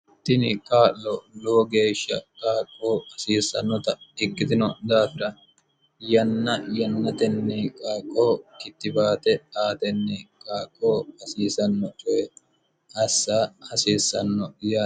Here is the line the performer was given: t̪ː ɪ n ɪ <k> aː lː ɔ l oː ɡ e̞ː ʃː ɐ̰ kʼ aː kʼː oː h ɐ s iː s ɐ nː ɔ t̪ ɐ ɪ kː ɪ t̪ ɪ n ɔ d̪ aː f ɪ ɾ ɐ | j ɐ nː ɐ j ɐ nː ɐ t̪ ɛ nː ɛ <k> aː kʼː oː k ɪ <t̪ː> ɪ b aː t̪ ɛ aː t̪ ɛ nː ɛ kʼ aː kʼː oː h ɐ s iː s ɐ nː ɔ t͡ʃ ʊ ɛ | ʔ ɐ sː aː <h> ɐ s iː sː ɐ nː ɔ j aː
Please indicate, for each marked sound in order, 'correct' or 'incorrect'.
incorrect: kʼ, incorrect: kʼ, correct, correct

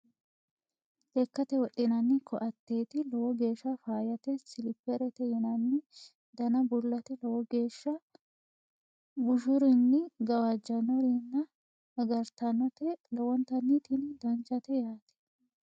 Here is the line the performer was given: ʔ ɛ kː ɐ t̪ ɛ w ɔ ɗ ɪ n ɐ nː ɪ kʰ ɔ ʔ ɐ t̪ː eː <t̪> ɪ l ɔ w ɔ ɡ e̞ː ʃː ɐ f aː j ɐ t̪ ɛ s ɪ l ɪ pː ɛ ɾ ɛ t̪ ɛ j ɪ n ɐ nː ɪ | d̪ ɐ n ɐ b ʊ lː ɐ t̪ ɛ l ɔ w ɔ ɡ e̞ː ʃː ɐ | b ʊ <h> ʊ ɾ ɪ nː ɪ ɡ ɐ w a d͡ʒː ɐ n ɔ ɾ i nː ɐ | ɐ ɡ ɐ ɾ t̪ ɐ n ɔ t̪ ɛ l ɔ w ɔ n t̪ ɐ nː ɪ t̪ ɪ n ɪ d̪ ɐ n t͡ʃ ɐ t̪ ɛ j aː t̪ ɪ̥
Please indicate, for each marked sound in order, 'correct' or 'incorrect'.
correct, incorrect: ʃ

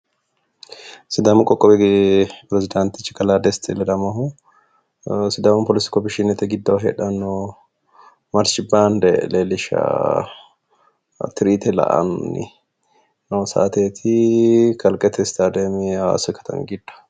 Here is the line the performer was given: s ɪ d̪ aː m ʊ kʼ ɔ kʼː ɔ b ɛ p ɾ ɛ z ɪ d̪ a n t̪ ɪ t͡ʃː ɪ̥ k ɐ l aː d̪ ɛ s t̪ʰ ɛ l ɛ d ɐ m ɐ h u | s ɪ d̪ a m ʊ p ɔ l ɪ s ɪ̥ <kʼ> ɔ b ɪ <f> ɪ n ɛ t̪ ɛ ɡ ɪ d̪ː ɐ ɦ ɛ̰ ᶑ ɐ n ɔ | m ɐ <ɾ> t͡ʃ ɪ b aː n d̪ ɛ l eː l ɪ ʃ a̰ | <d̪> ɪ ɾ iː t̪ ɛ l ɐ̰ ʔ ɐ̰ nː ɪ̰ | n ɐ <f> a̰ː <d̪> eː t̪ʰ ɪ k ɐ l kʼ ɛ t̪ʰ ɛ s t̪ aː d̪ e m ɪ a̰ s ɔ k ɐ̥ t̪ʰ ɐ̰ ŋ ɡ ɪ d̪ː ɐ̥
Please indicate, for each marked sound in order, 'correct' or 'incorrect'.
incorrect: k, incorrect: ʃ, correct, incorrect: t̪, incorrect: s, incorrect: t̪

